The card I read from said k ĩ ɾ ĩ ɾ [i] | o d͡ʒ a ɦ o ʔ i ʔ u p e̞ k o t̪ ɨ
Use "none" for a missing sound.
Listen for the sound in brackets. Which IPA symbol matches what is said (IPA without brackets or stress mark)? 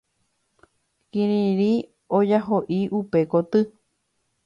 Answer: i